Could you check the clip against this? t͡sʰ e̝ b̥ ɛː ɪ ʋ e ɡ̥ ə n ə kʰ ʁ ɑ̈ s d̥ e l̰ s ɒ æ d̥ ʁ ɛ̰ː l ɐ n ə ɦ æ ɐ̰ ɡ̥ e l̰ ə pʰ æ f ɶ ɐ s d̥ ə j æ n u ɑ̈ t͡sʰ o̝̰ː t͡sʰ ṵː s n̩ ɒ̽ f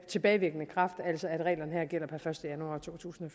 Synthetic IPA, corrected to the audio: t͡sʰ e̝ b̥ ɛː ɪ ʋ e ɡ̥ ə n ə kʰ ʁ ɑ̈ f d̥ æ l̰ s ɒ æ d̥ ʁ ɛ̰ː l ɐ n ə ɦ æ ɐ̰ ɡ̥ e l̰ ɐ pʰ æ f ɶ ɐ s d̥ ə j æ n u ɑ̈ t͡sʰ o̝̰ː t͡sʰ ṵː s n̩ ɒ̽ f